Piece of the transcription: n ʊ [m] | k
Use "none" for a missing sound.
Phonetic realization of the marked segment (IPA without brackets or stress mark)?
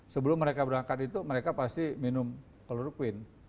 m